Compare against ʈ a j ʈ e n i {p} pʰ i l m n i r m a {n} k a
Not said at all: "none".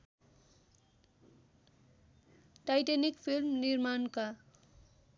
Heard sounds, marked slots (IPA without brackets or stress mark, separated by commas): k, n